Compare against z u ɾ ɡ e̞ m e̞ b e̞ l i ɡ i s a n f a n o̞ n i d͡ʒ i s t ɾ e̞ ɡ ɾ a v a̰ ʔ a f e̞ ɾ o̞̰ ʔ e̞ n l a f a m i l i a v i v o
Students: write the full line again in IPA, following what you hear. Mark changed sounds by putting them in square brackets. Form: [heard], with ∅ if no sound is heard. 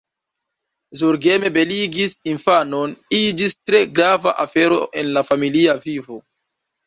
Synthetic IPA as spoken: z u ɾ ɡ e̞ m e̞ b e̞ l i ɡ i s [i] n f a n o̞ n i d͡ʒ i s t ɾ e̞ ɡ ɾ a v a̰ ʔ a f e̞ ɾ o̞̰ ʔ e̞ n l a f a m i l i a v i v o